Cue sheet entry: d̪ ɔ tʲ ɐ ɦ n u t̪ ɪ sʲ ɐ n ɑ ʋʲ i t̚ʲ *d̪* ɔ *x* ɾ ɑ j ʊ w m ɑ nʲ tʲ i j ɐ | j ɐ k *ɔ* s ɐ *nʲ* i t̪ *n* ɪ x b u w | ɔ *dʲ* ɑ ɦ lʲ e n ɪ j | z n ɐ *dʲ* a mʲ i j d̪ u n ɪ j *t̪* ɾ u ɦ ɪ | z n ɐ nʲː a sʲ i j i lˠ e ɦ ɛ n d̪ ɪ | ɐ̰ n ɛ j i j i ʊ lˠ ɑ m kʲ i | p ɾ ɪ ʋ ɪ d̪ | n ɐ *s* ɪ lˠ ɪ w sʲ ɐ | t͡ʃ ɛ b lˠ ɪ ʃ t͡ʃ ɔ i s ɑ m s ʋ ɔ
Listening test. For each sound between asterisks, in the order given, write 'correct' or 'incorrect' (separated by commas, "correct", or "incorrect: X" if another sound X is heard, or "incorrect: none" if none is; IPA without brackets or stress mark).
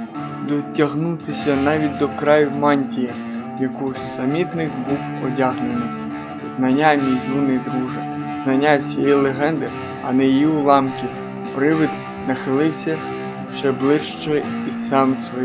correct, incorrect: k, incorrect: u, incorrect: mʲ, correct, correct, incorrect: nʲ, incorrect: d̪, incorrect: x